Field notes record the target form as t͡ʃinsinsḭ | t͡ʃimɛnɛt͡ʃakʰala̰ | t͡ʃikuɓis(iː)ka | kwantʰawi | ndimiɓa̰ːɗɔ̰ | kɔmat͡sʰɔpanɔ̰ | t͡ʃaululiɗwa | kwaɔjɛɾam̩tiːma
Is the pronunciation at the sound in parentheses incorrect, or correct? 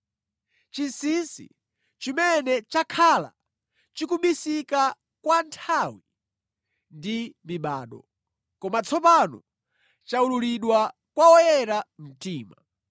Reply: incorrect